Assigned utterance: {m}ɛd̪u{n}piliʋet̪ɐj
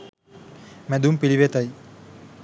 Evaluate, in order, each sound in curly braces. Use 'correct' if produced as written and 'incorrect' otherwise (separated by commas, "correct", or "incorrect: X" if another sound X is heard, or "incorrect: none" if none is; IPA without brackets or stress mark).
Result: correct, incorrect: m